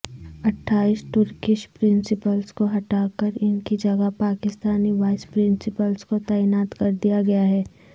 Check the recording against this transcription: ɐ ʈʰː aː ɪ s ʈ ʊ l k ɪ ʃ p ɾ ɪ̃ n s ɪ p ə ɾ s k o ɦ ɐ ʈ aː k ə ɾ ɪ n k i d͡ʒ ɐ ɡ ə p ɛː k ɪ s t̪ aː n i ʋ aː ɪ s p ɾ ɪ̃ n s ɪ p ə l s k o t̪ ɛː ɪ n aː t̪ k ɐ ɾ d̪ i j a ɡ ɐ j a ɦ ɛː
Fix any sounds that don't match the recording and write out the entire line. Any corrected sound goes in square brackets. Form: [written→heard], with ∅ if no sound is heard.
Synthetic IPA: ɐ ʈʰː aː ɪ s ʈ ʊ [l→ɾ] k ɪ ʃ p ɾ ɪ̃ n s ɪ p ə [ɾ→l] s k o ɦ ɐ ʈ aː k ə ɾ ɪ n k i d͡ʒ ɐ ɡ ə p [ɛː→aː] k ɪ s t̪ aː n i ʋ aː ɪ s p ɾ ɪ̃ n s ɪ p ə l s k o t̪ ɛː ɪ n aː t̪ k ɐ ɾ d̪ i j a ɡ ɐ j a ɦ ɛː